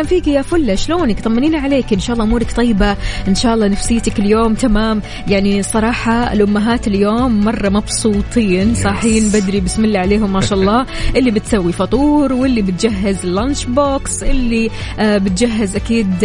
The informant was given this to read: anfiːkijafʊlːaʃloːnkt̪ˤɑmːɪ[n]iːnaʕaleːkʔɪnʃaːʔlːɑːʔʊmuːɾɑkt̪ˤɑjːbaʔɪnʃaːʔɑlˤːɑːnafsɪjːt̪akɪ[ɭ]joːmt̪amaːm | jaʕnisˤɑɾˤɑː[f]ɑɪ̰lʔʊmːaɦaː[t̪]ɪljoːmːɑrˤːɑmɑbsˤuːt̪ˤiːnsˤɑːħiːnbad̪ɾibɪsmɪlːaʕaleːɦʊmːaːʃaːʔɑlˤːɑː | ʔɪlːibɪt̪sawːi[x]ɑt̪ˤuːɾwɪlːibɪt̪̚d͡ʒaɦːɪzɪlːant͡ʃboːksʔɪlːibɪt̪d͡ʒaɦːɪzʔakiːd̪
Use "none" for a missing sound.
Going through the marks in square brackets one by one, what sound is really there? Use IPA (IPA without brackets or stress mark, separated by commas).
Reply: n, l, ħ, t̪, f